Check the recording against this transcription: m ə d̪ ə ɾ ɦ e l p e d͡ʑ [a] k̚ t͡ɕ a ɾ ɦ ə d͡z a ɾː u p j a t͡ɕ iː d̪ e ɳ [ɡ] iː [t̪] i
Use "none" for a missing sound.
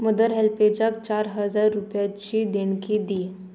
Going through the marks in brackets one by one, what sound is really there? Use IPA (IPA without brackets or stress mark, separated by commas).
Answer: a, k, d̪